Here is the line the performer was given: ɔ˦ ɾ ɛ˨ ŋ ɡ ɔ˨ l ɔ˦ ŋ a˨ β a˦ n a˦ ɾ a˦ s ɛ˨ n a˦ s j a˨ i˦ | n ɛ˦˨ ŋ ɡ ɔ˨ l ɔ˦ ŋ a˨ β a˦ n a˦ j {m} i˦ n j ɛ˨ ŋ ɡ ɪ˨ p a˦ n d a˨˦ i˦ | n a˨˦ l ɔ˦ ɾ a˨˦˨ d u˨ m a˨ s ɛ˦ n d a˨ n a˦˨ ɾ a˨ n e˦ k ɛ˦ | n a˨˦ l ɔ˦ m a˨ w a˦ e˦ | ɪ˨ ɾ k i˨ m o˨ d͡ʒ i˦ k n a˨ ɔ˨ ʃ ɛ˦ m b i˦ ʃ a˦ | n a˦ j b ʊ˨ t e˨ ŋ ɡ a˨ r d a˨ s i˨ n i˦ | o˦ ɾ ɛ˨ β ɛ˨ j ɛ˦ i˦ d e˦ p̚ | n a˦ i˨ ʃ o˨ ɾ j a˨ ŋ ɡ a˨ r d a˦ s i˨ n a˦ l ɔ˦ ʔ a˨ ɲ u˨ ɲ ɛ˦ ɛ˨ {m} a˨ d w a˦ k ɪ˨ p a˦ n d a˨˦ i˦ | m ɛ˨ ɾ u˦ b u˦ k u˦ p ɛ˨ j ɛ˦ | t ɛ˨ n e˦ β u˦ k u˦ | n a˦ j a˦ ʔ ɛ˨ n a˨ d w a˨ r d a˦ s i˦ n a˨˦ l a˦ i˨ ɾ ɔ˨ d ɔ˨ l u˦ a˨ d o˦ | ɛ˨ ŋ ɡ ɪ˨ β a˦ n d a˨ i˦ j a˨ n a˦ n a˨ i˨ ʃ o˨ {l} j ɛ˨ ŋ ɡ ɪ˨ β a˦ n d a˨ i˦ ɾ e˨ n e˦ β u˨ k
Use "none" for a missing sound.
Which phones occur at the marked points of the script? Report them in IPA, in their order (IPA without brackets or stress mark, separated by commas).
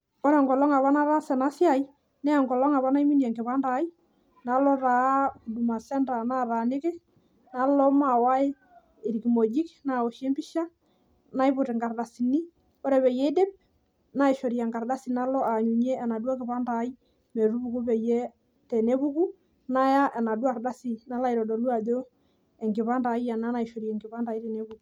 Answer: m, n, ɾ